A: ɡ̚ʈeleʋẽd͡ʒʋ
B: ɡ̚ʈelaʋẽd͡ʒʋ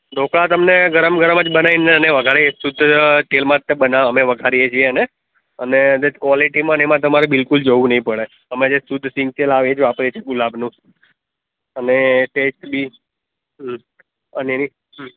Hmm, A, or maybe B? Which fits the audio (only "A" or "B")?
B